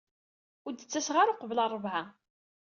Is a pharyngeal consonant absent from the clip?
no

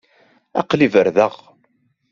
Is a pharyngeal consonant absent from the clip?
yes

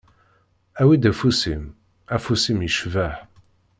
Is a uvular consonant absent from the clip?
yes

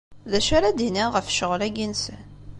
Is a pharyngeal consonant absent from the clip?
yes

